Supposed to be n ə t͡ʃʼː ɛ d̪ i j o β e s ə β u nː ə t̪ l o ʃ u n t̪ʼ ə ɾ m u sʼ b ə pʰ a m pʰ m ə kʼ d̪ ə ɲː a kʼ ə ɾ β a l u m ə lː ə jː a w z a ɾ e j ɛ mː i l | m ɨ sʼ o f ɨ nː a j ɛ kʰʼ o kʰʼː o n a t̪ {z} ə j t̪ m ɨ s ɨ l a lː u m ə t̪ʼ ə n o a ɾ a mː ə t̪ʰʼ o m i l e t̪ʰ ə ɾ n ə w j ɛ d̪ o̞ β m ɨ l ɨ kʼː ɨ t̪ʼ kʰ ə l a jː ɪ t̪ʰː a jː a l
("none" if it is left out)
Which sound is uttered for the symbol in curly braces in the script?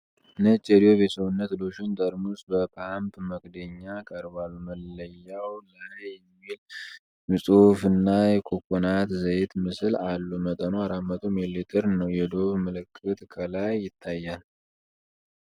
z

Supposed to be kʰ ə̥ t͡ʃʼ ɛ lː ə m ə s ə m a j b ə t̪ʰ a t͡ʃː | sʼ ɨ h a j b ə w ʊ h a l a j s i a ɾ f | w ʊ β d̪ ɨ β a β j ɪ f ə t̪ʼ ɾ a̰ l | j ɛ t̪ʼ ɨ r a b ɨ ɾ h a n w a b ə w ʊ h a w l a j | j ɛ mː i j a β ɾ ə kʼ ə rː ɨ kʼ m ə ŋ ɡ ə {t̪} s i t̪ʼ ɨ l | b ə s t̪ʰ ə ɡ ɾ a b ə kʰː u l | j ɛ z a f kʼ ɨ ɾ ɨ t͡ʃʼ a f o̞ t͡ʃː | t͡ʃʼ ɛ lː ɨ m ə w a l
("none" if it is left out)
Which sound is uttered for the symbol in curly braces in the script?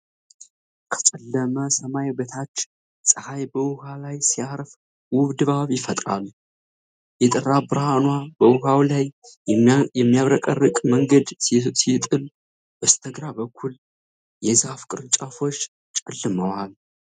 d̪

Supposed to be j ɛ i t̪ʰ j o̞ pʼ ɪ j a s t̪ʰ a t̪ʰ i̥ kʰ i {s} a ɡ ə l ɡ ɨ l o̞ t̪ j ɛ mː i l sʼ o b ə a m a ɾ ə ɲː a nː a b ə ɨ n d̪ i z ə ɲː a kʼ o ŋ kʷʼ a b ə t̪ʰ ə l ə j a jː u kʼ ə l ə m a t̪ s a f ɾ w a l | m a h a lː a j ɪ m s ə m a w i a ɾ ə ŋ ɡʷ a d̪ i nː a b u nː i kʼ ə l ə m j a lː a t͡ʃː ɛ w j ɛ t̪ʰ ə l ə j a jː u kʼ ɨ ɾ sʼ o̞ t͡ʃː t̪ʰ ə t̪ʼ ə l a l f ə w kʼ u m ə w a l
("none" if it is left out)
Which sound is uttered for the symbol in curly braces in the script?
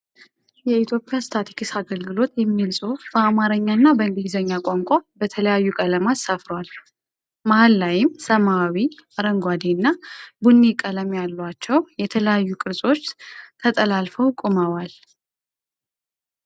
s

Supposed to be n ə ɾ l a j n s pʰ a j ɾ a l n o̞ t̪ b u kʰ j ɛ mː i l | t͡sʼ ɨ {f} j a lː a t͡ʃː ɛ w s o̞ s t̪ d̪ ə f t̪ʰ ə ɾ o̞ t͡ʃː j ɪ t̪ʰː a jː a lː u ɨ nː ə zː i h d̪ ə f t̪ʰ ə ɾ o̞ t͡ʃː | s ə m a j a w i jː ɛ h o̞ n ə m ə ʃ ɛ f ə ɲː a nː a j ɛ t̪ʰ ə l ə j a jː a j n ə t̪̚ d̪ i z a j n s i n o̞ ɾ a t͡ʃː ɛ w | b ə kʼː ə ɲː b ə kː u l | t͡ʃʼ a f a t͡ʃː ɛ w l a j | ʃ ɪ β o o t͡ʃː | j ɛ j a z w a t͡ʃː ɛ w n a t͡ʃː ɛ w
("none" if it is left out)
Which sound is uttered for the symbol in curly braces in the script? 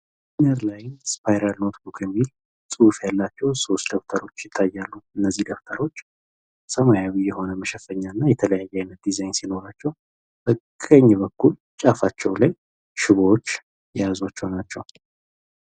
f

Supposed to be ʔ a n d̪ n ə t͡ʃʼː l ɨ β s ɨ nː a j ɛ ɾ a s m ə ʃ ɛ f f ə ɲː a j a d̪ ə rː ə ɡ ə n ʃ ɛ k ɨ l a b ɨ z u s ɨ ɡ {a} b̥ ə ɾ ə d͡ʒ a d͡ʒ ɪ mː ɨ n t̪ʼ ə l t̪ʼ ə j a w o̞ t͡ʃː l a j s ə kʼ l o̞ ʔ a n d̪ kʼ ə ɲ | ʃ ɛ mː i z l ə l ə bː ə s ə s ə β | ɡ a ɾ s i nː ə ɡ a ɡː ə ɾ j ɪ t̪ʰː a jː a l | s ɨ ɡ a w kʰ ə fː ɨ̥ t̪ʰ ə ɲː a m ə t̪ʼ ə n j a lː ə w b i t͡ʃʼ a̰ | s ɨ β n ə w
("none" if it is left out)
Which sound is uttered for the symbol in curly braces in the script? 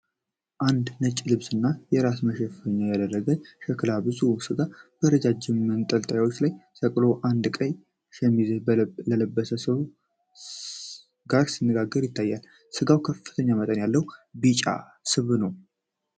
a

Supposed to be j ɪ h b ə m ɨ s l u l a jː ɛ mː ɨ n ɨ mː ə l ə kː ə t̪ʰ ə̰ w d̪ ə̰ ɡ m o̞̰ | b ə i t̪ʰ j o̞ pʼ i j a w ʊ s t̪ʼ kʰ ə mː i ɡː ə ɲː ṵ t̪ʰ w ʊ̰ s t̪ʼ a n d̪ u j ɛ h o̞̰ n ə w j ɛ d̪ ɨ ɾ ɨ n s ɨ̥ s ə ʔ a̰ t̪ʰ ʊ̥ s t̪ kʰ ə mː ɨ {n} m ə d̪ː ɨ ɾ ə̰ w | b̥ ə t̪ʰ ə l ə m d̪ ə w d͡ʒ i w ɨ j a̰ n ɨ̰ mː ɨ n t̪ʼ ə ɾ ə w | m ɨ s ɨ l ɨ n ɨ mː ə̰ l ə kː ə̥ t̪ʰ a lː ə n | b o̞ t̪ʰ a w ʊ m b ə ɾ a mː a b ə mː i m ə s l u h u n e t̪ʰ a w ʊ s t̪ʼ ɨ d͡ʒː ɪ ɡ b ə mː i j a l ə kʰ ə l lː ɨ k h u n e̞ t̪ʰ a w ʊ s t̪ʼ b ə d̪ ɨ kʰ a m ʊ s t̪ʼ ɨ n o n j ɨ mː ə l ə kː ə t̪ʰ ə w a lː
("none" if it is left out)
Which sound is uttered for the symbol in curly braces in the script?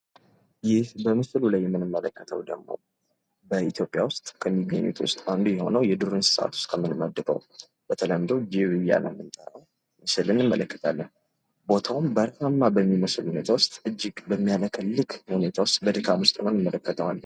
n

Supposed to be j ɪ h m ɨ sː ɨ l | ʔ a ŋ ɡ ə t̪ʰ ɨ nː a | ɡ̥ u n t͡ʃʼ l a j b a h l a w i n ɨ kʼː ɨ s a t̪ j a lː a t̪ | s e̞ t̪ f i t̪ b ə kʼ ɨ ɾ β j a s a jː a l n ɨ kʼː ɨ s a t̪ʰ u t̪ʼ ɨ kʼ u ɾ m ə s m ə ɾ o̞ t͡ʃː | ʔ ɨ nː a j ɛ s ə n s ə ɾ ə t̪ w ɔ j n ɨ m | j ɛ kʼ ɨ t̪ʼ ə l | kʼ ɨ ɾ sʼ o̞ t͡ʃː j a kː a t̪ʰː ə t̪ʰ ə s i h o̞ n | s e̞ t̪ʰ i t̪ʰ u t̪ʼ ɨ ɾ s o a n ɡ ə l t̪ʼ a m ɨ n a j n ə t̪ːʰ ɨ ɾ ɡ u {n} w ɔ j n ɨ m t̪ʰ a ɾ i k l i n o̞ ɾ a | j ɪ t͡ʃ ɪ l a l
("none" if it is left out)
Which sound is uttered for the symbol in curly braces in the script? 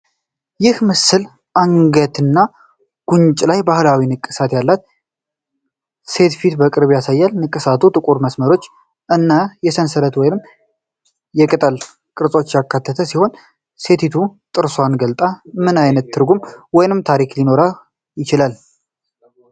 m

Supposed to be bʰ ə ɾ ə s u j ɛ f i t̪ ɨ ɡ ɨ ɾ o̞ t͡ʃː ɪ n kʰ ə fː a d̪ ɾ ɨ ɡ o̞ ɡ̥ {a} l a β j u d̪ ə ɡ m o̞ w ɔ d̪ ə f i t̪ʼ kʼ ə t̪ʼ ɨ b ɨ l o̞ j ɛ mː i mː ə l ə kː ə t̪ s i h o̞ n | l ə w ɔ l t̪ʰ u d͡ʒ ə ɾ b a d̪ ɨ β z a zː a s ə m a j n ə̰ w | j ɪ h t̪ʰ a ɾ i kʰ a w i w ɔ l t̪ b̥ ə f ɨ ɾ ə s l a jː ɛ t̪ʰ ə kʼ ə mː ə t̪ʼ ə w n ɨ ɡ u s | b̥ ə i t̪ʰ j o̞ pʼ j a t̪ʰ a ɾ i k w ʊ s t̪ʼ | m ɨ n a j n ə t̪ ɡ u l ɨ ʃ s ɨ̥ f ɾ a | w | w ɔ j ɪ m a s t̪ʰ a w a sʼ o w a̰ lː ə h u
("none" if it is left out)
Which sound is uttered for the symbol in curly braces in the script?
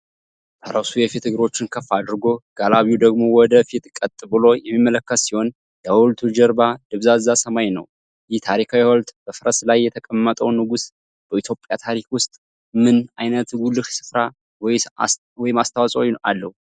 a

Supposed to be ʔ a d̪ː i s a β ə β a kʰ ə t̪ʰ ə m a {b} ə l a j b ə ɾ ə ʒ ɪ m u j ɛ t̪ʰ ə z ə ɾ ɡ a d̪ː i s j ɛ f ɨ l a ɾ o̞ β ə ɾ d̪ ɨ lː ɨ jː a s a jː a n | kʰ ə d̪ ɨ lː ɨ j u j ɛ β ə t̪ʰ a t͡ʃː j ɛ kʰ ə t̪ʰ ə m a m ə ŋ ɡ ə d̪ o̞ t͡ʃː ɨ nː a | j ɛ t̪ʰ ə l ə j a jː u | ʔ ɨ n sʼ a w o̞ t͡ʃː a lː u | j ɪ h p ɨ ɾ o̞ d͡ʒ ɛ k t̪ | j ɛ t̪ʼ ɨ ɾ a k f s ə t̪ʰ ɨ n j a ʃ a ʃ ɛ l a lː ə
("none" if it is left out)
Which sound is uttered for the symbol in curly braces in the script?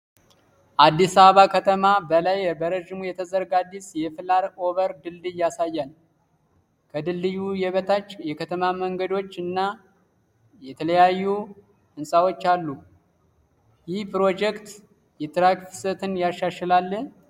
b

